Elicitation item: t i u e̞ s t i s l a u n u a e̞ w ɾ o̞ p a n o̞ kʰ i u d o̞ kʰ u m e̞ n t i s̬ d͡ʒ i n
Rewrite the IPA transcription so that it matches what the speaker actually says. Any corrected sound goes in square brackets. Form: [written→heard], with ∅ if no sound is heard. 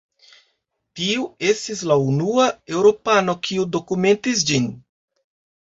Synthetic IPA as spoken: t i u e̞ s t i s l a u n u a e̞ w ɾ o̞ p a n o̞ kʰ i u d o̞ [kʰ→k] u m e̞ n t i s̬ d͡ʒ i n